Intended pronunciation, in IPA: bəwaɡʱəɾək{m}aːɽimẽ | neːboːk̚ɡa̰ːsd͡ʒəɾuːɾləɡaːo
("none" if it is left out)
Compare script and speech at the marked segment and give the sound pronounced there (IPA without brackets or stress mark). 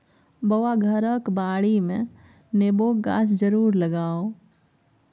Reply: b